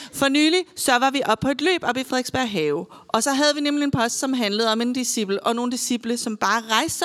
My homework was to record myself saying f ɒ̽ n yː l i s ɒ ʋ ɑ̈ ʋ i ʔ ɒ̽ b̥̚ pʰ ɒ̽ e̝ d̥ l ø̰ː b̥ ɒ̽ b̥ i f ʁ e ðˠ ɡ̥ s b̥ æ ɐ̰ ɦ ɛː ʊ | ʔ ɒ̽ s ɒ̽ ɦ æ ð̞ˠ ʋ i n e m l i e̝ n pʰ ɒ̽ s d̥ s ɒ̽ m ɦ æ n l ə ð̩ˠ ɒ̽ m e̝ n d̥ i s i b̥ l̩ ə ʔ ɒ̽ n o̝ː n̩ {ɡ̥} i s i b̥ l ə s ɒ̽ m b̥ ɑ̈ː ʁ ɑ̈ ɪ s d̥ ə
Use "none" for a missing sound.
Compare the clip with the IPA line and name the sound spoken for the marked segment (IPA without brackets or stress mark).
d̥